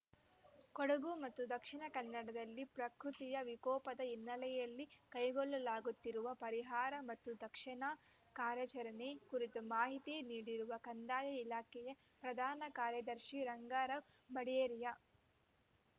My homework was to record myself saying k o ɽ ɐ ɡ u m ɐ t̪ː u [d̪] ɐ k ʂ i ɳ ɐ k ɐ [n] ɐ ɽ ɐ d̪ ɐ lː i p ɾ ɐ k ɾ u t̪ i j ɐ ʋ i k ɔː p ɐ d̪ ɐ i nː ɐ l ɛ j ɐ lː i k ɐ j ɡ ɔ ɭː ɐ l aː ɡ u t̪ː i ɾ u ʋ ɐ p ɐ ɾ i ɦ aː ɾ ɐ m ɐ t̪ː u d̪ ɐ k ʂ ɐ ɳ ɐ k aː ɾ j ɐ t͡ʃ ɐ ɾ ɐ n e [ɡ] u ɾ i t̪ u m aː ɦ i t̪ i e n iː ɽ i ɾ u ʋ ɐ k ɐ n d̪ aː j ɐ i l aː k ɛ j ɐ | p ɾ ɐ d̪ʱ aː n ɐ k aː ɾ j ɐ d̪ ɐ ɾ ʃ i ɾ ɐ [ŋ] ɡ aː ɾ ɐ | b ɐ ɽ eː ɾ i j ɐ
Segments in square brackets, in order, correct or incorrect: correct, incorrect: nː, incorrect: k, correct

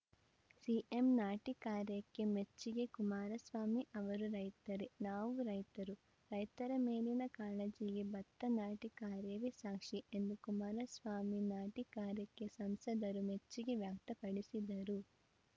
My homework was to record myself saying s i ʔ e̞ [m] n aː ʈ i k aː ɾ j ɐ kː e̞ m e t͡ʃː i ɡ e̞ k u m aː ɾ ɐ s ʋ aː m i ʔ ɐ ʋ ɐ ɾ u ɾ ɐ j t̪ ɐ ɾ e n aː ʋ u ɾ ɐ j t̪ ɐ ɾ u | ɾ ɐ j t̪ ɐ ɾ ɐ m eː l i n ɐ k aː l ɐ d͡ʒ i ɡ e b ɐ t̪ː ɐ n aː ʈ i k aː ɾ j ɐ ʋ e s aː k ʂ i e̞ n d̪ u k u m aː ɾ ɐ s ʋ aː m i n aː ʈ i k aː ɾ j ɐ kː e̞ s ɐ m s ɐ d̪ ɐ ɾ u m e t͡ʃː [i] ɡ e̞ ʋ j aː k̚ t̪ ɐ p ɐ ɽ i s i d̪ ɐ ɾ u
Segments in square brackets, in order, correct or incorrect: correct, correct

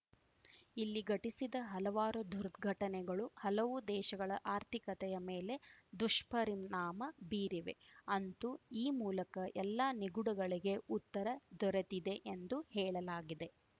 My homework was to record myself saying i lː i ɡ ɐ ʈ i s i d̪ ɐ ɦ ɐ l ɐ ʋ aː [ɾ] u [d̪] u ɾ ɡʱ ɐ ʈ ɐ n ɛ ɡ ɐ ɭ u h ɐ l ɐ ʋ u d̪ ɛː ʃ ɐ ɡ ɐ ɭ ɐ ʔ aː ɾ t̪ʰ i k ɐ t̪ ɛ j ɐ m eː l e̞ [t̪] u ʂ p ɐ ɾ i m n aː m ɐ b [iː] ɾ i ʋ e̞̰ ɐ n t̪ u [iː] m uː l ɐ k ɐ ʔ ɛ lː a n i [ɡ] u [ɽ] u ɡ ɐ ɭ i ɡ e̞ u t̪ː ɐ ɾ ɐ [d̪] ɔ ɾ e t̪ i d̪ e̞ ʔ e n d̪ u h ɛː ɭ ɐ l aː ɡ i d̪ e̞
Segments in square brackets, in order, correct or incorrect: correct, correct, incorrect: d̪, correct, correct, correct, correct, correct

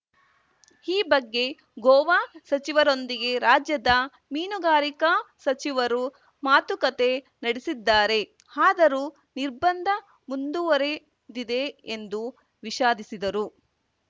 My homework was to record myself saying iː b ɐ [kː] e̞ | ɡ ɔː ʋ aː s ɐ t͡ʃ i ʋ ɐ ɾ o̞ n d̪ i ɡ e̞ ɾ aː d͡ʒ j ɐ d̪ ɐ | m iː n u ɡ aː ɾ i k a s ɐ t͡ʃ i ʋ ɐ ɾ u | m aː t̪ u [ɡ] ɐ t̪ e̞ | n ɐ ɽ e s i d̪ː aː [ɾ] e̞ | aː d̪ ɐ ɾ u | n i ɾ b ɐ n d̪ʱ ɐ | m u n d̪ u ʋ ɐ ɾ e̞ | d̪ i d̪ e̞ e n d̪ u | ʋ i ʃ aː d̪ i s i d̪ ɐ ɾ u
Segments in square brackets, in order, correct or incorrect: incorrect: ɡː, incorrect: k, correct

